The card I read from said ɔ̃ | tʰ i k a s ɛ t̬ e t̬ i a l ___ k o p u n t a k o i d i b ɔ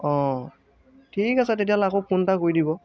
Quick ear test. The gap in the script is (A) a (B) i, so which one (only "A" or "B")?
A